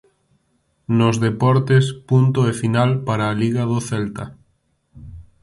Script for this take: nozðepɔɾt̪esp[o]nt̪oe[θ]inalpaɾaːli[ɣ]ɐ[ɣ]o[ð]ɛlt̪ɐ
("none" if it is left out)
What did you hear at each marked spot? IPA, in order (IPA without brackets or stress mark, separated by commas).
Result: u, f, ɣ, ð, θ